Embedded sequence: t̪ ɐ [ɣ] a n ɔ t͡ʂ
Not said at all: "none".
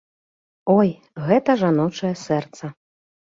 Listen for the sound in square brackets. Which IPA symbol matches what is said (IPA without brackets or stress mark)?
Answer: ʐ